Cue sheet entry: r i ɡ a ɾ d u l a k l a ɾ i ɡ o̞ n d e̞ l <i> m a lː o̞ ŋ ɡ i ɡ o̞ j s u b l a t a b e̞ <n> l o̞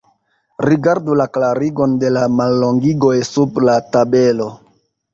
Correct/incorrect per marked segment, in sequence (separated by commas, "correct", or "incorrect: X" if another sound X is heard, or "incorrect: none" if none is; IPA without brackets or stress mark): incorrect: a, incorrect: none